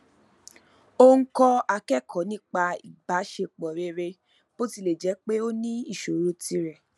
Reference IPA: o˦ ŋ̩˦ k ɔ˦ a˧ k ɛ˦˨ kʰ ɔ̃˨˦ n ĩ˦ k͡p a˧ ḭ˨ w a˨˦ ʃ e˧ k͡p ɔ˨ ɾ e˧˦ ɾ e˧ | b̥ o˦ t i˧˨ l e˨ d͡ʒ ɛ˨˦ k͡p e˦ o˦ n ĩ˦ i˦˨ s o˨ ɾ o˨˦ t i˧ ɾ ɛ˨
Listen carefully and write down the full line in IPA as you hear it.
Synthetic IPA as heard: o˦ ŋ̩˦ k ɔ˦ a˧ k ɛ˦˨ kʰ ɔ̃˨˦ n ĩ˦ k͡p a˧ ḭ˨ b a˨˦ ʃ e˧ k͡p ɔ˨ ɾ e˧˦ ɾ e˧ | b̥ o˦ t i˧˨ l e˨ d͡ʒ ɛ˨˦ k͡p e˦ o˦ n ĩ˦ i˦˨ ʃ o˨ ɾ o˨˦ t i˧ ɾ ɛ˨

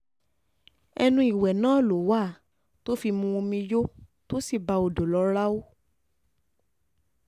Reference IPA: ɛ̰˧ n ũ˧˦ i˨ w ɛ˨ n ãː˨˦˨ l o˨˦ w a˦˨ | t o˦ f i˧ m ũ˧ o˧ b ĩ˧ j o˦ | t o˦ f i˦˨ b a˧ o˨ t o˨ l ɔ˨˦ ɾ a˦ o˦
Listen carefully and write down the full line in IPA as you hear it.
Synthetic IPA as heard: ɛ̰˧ n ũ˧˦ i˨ w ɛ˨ n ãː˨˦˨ l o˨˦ w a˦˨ | t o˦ f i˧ m ũ˧ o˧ m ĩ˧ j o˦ | t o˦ s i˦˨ b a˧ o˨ d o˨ l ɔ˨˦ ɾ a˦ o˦

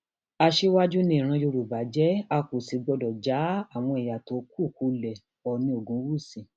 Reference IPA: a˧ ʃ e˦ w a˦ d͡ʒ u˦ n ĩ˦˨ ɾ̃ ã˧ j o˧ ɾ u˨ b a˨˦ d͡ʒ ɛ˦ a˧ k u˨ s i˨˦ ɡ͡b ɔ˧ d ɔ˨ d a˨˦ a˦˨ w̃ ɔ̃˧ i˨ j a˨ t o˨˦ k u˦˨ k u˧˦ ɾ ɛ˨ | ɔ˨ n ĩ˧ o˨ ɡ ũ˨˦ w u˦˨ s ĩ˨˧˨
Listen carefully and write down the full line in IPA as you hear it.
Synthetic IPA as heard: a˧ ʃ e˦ w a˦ d͡ʒ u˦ n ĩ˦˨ ɾ̃ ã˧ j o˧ ɾ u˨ b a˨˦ d͡ʒ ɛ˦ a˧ k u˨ s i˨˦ ɡ͡b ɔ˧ d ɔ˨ d͡ʒ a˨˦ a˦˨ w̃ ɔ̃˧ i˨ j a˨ t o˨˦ k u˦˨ k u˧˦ l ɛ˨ | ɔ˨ n ĩ˧ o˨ ɡ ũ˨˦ w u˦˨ s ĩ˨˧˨

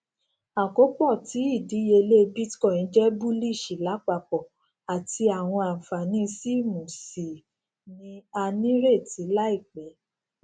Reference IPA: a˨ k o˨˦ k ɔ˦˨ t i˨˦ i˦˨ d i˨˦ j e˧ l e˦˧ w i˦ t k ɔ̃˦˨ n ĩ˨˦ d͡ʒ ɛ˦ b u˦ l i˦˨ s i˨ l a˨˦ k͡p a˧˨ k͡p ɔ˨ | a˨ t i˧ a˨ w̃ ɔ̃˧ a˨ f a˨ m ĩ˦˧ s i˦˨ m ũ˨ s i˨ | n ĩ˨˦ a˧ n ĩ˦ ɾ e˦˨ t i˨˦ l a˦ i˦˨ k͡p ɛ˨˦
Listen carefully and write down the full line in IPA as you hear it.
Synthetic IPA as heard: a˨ k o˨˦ k͡p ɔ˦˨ t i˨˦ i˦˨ d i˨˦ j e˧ l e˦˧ b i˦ t k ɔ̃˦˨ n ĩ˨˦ d͡ʒ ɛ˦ b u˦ l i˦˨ ʃ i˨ l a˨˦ k͡p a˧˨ k͡p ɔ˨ | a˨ t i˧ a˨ w̃ ɔ̃˧ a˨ f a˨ n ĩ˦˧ s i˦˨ m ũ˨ s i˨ | n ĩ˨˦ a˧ n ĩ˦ ɾ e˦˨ t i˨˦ l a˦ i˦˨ k͡p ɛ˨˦

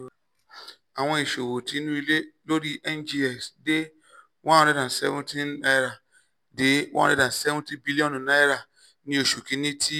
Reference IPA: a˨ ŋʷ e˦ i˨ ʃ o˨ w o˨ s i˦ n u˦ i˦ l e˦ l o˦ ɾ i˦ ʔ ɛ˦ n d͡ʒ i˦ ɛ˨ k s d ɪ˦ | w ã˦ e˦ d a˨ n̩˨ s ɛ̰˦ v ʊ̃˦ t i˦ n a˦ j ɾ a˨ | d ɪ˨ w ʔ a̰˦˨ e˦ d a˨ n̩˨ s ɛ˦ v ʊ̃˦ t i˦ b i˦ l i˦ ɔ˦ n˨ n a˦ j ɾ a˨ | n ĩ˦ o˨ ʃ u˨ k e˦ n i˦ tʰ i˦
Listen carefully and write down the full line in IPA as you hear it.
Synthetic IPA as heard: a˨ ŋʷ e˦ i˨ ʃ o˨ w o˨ t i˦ n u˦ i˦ l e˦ l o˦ ɾ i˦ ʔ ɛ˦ n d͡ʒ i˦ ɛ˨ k s d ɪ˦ | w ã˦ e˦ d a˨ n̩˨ s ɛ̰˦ v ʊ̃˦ t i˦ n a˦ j ɾ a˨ | d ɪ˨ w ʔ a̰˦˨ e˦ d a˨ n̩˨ s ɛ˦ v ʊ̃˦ t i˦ b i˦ l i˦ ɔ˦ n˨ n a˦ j ɾ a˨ | n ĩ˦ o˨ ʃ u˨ k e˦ n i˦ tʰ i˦

